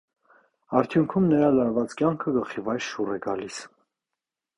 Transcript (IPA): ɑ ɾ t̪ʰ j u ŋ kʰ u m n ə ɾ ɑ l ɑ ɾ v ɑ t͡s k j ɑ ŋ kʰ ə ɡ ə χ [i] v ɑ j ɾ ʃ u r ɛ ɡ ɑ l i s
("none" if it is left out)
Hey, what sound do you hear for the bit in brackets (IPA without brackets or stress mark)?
i